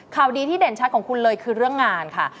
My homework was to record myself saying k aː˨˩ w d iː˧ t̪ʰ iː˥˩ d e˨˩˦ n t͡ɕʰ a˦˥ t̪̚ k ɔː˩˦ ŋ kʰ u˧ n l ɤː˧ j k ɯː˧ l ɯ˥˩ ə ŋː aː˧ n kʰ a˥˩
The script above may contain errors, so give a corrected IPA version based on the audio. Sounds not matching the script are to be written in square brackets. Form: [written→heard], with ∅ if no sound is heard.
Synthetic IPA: [k→kʰ] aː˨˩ w d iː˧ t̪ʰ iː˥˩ d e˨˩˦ n t͡ɕʰ a˦˥ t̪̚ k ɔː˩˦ ŋ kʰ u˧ n l ɤː˧ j [k→kʰ] ɯː˧ [l→ɾ] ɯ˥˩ ə ŋː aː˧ n kʰ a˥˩